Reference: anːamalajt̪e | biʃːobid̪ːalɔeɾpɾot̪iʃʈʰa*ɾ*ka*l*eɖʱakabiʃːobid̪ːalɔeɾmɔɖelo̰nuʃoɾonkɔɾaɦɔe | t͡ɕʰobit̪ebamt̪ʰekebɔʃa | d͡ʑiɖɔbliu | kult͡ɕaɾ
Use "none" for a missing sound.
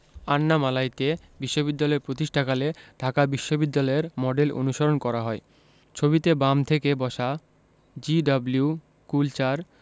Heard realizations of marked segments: none, l

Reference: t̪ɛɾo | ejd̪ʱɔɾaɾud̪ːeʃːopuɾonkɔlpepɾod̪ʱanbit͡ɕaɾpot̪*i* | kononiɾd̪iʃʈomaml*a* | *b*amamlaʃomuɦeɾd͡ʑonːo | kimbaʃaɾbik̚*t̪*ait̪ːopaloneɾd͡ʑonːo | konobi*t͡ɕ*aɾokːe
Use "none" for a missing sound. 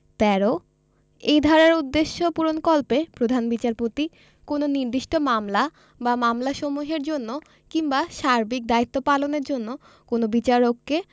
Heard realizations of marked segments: i, a, b, d̪, t͡ɕ

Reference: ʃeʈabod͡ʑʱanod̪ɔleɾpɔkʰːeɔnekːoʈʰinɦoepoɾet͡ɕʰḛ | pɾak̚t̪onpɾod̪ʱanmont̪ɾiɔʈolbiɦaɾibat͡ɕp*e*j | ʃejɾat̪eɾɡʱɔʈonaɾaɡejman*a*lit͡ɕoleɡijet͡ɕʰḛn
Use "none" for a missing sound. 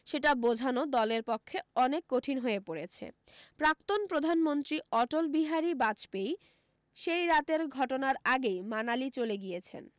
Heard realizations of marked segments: e, a

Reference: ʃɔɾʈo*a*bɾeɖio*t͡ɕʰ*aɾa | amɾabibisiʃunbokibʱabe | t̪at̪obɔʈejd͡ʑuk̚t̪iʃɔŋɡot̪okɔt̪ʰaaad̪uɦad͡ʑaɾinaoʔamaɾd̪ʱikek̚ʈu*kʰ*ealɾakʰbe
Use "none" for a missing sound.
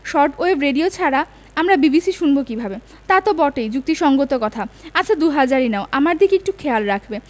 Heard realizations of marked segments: e, t͡ɕʰ, kʰ

